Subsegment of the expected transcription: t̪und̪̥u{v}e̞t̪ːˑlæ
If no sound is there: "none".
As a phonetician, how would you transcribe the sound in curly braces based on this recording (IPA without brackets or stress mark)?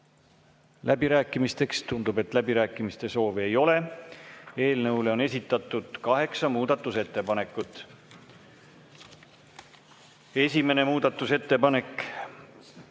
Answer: b